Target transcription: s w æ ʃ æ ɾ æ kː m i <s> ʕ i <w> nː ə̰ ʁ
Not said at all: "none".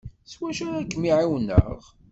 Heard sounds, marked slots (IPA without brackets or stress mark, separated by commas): none, w